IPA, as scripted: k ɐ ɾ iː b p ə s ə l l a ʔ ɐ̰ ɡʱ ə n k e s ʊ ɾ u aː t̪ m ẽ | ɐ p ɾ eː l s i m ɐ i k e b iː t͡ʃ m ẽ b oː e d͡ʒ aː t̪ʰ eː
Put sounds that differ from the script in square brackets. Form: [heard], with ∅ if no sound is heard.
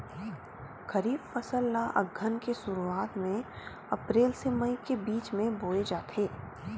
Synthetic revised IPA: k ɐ ɾ iː b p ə s ə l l a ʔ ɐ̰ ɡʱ ə n k e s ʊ ɾ u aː t̪ m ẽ | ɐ p ɾ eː l s [e] m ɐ i k e b iː t͡ʃ m ẽ b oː e d͡ʒ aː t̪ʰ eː